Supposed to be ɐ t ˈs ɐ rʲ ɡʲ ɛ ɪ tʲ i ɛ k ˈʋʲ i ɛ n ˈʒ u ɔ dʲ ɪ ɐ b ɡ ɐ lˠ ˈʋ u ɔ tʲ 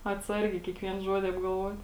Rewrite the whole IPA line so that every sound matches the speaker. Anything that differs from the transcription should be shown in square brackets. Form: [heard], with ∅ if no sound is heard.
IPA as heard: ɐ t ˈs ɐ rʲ ɡʲ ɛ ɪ [kʲ] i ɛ k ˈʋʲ i ɛ n ˈʒ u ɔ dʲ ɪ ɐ b ɡ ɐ lˠ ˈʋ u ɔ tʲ